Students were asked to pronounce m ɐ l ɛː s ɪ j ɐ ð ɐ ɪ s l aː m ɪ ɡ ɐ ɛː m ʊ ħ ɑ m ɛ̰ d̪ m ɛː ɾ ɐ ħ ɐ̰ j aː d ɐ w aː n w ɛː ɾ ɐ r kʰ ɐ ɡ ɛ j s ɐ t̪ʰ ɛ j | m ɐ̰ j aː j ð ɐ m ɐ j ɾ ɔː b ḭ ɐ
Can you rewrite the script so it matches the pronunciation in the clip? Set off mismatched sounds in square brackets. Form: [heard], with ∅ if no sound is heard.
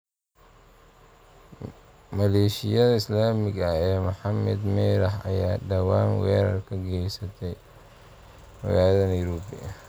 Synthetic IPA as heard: m ɐ l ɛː [ʃ] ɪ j ɐ ð ɐ ɪ s l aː m ɪ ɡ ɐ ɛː m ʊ ħ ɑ m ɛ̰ d̪ m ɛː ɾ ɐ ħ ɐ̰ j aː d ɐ w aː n w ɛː ɾ ɐ r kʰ ɐ ɡ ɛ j s ɐ t̪ʰ ɛ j | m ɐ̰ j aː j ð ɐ [n] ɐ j ɾ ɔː b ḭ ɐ